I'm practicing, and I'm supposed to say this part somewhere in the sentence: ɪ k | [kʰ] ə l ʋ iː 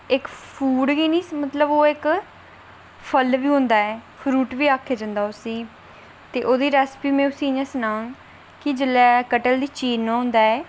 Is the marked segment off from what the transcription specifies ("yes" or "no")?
yes